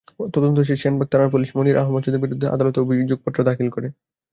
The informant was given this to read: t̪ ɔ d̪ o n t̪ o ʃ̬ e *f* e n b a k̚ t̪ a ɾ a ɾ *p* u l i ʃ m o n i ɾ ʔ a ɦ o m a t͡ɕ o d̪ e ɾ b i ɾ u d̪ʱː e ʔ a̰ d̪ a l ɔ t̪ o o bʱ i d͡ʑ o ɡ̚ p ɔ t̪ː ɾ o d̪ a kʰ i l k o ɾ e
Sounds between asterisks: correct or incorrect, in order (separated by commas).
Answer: incorrect, correct